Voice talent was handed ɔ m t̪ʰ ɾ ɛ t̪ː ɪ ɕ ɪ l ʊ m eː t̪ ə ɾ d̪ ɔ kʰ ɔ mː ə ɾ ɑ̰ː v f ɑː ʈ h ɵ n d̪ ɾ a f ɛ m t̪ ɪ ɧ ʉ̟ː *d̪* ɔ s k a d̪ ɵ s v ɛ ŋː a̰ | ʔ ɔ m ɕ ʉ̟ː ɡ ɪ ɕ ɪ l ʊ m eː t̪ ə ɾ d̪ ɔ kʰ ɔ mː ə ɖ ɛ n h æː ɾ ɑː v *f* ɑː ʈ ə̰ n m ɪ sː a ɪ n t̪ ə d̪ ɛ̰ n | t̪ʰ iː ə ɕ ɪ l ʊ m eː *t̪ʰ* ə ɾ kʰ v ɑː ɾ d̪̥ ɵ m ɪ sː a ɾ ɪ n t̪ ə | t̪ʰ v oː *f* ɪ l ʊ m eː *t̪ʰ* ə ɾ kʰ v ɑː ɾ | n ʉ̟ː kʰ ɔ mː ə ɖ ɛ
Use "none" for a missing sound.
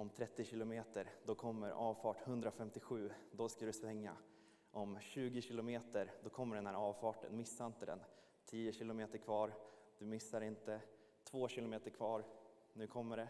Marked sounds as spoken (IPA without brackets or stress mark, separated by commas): d̪, f, t̪, ɕ, t̪